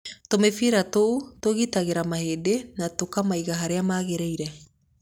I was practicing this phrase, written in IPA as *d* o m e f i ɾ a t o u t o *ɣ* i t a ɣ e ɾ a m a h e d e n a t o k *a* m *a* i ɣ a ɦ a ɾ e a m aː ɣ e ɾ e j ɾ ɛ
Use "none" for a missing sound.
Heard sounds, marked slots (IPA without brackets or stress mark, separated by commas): t, ɣ, a, a